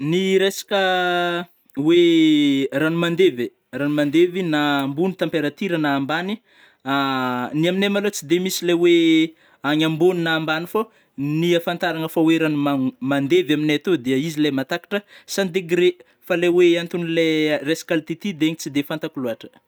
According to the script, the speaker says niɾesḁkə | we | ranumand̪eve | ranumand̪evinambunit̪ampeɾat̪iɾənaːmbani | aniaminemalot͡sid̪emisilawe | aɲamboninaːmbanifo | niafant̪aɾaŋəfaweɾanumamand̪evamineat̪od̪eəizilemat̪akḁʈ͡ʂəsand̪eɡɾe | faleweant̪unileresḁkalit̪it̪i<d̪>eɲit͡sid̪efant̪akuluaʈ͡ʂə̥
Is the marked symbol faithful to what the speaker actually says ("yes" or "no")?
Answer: yes